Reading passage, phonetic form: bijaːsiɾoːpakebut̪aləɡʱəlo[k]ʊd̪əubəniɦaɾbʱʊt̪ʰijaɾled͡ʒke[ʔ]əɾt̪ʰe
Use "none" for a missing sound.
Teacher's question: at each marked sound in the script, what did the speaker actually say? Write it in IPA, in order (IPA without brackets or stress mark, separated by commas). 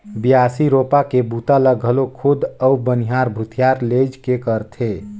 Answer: kʰ, k